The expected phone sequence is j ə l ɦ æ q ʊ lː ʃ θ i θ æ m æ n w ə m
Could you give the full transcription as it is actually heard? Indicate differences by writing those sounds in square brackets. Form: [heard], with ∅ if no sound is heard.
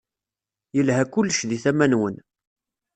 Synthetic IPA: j ə l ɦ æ [k] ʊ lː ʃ [ð] i θ æ m æ n w ə [n]